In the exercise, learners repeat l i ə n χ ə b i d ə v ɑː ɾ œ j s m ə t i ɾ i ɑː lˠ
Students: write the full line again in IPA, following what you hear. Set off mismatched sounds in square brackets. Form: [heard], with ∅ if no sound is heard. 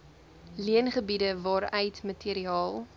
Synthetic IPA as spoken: l i ə n χ ə b i d ə v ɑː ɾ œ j [t] m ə t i ɾ i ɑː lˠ